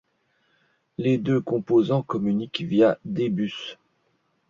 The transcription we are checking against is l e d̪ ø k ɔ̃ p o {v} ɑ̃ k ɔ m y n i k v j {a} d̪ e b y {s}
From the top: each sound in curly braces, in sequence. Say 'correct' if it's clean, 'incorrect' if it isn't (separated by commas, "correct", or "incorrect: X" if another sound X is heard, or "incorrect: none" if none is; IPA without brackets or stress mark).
incorrect: z, correct, correct